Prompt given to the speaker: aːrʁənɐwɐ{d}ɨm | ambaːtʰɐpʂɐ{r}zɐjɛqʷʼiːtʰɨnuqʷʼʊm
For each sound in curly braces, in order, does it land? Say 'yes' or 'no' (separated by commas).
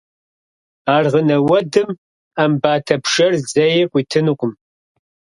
yes, yes